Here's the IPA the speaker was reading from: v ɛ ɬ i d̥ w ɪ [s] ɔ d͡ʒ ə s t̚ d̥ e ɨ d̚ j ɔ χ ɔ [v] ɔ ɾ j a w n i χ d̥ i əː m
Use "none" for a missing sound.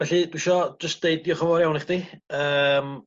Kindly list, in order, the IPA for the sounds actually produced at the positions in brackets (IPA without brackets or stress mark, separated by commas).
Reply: ʃ, v